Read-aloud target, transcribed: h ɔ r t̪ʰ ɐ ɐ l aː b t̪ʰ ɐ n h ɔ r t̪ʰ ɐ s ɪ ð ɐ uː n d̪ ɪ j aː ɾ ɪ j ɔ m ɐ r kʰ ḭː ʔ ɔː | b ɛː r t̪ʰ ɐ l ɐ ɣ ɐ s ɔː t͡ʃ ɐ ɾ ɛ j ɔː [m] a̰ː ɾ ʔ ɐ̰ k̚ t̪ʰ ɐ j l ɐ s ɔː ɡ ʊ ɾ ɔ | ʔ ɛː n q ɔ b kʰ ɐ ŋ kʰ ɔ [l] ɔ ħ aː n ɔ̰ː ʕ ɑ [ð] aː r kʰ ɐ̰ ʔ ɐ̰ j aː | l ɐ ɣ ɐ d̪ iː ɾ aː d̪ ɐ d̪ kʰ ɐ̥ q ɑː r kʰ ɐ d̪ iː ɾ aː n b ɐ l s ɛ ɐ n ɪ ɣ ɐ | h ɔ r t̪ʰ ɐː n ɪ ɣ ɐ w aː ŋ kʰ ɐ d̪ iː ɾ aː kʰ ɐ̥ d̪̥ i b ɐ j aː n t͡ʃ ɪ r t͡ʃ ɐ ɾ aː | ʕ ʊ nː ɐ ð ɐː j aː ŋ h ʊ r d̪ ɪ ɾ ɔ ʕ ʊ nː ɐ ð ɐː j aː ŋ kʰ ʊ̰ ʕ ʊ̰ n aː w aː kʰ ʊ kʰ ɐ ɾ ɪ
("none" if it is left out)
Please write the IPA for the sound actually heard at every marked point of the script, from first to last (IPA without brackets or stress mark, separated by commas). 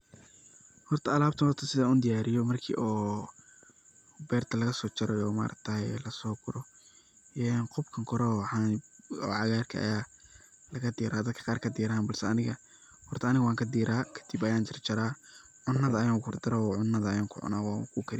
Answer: m, ɾ, ɣ